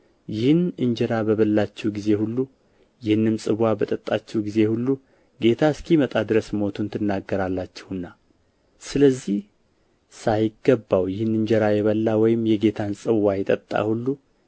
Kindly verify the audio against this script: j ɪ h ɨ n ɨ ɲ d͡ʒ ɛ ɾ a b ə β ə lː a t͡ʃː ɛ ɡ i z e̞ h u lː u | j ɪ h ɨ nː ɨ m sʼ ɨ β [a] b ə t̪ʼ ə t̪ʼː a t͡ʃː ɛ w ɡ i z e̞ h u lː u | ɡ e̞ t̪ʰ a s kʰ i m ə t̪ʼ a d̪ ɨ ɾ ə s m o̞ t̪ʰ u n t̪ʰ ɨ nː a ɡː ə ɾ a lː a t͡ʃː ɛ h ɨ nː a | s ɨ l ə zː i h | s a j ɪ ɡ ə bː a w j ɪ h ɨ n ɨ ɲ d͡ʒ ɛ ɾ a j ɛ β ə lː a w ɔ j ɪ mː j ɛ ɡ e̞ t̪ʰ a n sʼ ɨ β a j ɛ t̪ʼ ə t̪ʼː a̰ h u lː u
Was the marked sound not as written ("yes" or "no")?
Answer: no